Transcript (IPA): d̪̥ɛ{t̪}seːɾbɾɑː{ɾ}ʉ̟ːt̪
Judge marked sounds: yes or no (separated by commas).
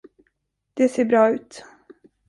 no, no